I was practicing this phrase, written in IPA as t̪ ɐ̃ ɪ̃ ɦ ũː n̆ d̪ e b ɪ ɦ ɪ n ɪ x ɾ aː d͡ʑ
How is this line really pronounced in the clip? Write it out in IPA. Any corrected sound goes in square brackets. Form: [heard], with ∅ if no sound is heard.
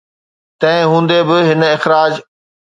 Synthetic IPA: t̪ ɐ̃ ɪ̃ ɦ ũː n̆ d̪ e b ɪ ɦ ɪ n ɪ x ɾ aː d͡ʑ